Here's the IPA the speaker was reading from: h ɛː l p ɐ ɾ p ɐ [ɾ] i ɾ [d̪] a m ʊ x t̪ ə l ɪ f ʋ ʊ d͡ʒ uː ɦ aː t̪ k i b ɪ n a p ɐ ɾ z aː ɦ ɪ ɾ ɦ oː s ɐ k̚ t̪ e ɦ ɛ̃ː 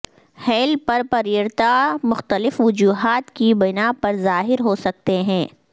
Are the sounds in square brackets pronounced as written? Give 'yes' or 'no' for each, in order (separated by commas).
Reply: yes, no